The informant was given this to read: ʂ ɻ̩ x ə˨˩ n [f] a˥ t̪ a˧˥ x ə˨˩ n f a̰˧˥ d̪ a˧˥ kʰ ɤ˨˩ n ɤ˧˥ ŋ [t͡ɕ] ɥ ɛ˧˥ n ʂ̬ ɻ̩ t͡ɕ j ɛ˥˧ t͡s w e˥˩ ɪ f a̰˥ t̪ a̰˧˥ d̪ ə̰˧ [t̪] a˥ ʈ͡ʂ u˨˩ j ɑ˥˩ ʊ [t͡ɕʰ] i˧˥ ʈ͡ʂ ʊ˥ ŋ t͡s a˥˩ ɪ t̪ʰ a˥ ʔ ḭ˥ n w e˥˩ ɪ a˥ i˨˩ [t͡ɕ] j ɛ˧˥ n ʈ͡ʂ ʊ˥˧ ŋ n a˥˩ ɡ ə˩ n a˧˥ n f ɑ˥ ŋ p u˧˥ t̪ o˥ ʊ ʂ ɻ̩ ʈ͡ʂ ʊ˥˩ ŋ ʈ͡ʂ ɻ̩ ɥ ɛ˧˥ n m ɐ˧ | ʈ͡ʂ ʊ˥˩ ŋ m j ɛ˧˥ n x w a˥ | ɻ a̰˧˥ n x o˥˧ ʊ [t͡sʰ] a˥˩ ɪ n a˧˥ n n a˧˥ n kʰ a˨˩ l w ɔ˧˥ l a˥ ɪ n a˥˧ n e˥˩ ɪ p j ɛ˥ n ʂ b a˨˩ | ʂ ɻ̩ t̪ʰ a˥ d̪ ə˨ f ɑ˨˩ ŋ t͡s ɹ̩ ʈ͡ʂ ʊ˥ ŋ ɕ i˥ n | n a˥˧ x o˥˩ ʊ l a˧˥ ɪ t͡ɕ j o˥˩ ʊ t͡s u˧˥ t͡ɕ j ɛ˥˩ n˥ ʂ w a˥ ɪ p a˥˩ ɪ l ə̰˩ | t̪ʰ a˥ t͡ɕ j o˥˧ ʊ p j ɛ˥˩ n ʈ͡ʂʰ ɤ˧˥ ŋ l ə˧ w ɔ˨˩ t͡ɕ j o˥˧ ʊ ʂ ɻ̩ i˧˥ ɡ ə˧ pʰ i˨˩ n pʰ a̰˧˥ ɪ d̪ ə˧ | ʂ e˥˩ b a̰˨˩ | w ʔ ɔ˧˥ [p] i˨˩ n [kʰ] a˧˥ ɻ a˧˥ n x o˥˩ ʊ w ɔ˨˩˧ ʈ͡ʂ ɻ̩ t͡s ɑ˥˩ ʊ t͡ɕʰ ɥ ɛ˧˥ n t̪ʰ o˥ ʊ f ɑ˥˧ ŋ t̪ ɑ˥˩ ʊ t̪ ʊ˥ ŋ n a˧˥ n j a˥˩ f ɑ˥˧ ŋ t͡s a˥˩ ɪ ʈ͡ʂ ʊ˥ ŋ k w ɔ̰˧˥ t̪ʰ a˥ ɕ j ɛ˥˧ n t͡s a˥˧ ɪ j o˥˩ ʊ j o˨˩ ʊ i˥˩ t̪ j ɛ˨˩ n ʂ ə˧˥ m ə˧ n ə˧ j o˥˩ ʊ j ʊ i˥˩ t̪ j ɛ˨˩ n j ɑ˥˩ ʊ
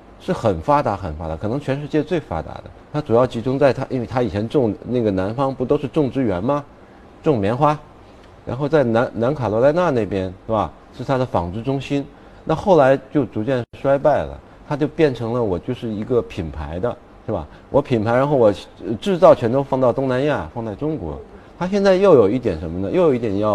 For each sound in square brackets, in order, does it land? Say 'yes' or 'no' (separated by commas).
yes, no, no, no, no, no, no, no